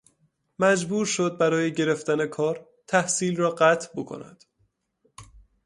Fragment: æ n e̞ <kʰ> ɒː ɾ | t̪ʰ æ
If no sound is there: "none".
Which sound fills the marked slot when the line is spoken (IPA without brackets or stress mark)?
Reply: kʰ